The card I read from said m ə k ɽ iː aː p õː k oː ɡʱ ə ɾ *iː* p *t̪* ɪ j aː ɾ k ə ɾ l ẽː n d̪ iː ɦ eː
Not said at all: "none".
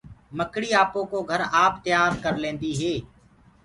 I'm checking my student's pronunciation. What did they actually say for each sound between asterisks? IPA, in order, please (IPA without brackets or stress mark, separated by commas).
aː, t̪